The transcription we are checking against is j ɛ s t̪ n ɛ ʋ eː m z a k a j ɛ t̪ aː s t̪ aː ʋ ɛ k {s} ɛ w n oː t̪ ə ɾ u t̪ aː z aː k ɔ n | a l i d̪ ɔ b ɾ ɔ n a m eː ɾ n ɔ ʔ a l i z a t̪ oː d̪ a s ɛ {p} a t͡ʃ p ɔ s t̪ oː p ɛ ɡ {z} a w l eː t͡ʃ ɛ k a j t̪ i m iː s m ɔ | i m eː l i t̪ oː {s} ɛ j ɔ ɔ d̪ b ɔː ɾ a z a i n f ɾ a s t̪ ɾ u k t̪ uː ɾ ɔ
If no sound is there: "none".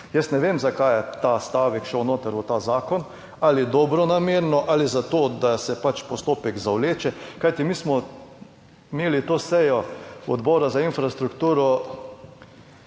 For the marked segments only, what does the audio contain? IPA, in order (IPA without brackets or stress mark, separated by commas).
ʃ, p, z, s